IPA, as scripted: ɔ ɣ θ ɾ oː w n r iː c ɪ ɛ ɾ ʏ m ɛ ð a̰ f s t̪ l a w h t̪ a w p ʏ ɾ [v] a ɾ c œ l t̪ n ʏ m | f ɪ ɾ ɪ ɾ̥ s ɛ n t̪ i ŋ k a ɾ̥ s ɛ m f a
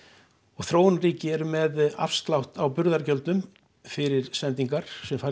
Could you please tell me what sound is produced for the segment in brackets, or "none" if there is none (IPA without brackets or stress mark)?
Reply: ð